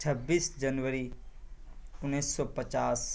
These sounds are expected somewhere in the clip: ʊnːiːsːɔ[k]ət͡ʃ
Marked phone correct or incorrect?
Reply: incorrect